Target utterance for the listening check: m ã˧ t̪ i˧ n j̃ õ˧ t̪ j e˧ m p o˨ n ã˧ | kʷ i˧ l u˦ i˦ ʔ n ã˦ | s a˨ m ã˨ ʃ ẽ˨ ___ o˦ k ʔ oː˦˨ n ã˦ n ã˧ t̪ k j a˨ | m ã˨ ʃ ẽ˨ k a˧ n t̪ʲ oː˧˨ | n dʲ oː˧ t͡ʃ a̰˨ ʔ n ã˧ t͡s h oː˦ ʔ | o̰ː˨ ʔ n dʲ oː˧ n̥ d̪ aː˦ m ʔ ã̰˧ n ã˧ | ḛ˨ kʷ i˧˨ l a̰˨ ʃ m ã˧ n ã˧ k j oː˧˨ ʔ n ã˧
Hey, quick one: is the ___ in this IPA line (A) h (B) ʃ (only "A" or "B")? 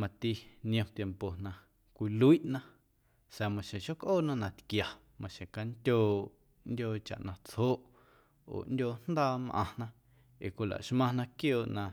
B